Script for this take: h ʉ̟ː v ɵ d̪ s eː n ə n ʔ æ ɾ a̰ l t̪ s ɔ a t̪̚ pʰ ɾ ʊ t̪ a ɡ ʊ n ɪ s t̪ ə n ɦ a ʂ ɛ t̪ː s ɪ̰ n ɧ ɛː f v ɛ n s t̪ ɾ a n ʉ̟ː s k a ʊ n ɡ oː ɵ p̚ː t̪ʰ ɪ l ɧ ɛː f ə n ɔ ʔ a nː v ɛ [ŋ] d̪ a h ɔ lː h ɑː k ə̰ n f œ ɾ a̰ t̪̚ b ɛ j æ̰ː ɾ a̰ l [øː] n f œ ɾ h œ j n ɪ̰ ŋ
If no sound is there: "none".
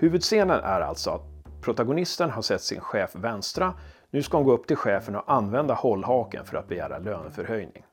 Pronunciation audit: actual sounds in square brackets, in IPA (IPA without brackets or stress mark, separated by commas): n, øː